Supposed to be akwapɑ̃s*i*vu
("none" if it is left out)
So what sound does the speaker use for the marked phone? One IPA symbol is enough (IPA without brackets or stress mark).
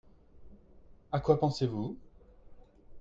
e